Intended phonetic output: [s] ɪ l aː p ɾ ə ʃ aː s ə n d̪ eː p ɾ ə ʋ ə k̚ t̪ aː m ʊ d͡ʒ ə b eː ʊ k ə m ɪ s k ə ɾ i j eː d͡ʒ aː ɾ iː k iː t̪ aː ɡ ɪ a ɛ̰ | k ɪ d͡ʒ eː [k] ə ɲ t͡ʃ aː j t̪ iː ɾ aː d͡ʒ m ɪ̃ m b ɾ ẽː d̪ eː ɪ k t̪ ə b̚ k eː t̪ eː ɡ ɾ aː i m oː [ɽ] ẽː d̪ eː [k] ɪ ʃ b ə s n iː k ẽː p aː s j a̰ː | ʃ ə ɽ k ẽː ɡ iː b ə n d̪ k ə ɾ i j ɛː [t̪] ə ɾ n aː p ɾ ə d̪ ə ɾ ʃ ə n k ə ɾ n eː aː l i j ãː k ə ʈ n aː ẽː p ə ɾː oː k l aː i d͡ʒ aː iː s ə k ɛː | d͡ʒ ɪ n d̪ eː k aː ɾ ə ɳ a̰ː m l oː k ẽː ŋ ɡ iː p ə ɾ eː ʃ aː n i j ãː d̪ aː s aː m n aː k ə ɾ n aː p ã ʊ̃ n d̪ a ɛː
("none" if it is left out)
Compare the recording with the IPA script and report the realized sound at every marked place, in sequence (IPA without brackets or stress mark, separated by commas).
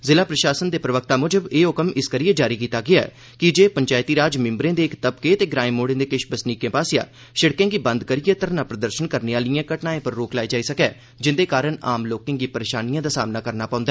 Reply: z, p, ɽ, k, t̪